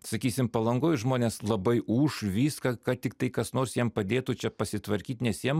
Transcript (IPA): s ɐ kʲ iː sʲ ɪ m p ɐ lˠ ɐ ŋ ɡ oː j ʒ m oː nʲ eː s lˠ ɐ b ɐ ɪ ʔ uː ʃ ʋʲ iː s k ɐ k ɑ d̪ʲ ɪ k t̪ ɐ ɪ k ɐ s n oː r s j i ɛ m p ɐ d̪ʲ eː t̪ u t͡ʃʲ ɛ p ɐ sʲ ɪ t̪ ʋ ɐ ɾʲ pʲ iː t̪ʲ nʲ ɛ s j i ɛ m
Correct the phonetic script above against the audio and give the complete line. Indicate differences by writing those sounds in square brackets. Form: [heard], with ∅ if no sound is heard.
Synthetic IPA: s ɐ kʲ iː sʲ ɪ m p ɐ lˠ ɐ ŋ ɡ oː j ʒ m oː nʲ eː s lˠ ɐ b ɐ ɪ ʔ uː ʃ ʋʲ iː s k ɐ k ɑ [t̪ʲ] ɪ k t̪ ɐ ɪ k ɐ s n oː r s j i ɛ m p ɐ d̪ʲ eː t̪ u t͡ʃʲ ɛ p ɐ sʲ ɪ t̪ ʋ ɐ ɾʲ [kʲ] iː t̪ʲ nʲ ɛ s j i ɛ m